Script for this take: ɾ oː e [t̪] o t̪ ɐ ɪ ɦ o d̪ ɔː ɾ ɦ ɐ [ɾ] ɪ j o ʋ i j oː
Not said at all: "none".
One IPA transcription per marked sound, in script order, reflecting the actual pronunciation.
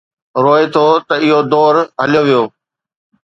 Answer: t̪ʰ, l

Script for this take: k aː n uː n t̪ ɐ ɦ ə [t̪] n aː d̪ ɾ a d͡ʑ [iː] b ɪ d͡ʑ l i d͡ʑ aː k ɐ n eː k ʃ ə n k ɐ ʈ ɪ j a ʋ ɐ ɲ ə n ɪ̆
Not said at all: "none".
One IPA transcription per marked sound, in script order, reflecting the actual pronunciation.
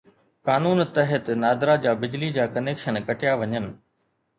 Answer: t̪, aː

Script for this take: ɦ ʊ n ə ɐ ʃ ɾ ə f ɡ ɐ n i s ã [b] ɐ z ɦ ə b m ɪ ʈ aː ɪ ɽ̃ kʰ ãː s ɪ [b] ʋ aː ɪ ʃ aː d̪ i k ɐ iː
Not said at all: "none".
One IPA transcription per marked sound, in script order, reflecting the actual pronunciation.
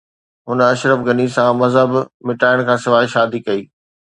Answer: m, none

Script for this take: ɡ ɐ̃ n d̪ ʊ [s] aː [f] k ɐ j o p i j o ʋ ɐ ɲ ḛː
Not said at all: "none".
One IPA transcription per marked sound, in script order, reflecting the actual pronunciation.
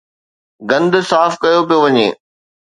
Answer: s, f

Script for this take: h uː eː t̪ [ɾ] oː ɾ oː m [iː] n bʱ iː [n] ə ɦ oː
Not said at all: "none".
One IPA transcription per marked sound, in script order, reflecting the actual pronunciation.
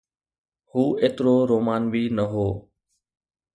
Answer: ɾ, aː, n

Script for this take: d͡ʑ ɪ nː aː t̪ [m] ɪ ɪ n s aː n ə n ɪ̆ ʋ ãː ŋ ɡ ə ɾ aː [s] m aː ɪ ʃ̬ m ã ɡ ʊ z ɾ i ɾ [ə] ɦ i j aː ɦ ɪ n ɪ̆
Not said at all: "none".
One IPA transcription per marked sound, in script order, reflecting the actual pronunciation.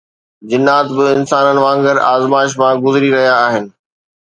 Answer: b, z, ɐ

